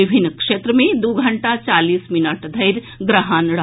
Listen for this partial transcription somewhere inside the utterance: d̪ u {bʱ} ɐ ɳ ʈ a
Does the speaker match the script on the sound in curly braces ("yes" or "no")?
no